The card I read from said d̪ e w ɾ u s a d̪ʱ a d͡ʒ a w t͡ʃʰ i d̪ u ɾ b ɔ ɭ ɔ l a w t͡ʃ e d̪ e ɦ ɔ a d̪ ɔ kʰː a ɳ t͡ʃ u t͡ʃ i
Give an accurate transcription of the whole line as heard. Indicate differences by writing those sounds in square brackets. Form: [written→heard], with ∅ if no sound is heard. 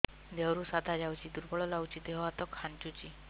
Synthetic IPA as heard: d̪ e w ɾ u s a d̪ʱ a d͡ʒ a w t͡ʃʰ i d̪ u ɾ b ɔ ɭ ɔ l a w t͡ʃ [e→i] d̪ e ɦ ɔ a [d̪→t̪] ɔ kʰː a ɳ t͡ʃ u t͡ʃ i